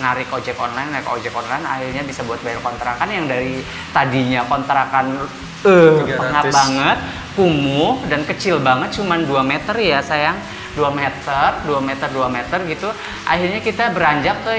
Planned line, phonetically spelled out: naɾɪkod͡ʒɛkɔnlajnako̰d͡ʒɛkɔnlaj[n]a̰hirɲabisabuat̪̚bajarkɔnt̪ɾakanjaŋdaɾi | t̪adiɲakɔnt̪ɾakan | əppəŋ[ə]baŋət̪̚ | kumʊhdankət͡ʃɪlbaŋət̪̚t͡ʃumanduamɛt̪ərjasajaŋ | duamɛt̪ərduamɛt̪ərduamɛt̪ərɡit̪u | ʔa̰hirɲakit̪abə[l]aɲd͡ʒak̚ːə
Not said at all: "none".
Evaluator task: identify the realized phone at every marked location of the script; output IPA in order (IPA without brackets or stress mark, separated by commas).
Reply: n, a, ɾ